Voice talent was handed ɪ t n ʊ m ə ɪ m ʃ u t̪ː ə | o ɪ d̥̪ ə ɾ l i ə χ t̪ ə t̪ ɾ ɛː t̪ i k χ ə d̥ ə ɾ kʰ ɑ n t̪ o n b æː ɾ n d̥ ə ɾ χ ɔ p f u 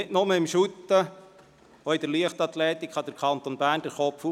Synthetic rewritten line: ɪ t n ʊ m ə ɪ m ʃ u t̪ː ə | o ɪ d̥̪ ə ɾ l i ə χ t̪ ɑ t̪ l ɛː t̪ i k χ ɑ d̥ ə ɾ kʰ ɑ n t̪ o n b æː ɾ n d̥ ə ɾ χ ɔ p f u